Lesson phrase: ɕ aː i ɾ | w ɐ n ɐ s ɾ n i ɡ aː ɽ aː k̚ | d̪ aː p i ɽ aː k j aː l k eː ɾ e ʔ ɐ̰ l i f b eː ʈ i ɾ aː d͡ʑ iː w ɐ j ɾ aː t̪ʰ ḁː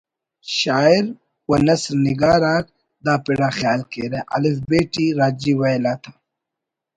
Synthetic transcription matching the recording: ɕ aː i ɾ | w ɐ n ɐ s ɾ n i ɡ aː ɾ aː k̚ | d̪ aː p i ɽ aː x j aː l k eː ɾ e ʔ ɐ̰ l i f b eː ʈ i ɾ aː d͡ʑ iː w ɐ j l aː t̪ʰ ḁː